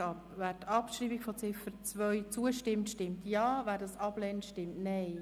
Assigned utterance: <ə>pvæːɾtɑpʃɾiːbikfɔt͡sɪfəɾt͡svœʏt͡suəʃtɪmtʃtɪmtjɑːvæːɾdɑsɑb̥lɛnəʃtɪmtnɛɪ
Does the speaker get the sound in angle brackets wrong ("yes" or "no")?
yes